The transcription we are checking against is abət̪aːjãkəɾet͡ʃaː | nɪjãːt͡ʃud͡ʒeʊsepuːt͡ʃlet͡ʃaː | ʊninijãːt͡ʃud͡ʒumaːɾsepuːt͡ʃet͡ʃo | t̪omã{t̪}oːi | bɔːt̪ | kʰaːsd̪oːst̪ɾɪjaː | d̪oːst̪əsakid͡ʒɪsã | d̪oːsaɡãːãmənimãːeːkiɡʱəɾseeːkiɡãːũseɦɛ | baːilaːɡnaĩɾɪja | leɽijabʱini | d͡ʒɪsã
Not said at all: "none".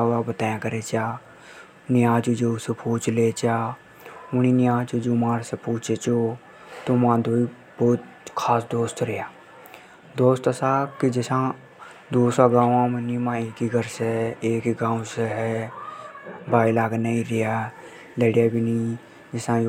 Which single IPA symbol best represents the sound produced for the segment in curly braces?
d̪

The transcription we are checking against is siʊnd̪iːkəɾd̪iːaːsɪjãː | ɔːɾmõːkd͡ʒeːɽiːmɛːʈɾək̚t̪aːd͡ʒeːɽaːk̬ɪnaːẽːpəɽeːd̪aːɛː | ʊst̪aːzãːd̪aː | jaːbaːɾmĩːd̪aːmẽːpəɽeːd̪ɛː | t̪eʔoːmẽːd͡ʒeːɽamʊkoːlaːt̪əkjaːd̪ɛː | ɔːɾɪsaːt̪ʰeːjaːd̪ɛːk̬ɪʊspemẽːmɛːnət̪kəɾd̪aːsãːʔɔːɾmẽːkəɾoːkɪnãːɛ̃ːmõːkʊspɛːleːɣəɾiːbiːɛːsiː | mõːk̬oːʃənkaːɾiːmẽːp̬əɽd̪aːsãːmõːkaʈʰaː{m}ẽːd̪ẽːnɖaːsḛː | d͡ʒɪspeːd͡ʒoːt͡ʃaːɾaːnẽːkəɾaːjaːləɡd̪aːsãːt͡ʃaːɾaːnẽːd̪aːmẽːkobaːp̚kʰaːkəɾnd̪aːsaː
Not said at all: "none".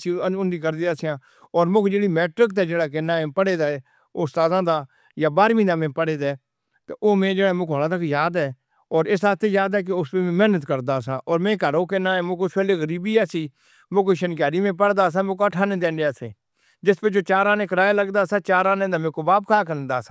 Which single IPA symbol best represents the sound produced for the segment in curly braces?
n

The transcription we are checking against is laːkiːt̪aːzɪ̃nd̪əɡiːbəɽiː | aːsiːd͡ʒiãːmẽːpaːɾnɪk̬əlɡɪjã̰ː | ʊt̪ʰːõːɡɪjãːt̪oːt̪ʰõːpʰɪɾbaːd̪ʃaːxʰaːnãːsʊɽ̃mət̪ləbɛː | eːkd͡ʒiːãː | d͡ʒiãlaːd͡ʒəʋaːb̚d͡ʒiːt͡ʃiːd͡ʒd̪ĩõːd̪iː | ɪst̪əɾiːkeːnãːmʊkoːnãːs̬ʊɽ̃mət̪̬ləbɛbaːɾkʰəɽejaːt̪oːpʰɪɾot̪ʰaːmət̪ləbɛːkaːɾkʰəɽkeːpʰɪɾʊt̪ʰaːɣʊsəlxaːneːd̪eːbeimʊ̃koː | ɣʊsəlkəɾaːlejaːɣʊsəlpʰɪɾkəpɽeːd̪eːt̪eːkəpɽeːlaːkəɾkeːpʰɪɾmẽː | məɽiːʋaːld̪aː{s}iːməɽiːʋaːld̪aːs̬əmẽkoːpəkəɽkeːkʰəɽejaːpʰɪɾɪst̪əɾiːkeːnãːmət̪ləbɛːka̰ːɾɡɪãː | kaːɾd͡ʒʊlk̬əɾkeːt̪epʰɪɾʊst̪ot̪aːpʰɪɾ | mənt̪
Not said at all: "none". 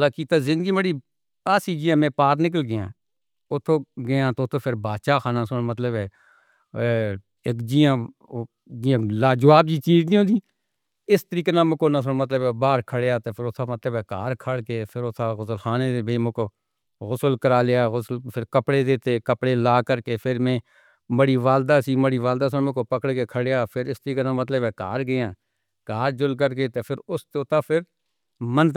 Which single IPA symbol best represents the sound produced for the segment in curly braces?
s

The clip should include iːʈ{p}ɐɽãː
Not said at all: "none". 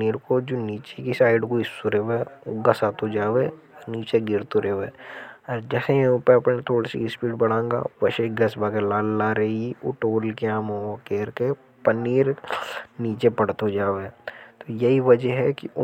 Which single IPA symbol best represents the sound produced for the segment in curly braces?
b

